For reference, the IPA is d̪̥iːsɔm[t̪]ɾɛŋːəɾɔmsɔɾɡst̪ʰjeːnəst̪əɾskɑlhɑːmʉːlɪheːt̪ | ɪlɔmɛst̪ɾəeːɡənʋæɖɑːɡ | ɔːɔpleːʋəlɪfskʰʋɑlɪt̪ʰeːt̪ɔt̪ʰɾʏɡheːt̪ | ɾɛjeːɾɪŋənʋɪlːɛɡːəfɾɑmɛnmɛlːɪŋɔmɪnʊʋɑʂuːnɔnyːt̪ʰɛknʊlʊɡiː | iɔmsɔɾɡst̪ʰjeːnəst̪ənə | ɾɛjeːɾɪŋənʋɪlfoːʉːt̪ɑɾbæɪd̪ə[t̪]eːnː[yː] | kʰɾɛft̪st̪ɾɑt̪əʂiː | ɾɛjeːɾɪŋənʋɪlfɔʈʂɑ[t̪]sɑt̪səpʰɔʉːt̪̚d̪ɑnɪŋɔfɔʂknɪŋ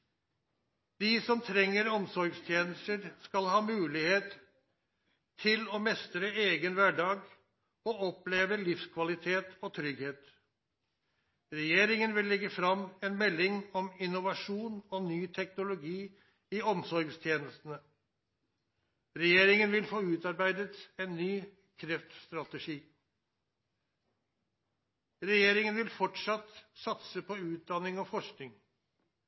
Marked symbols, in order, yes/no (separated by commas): no, yes, yes, yes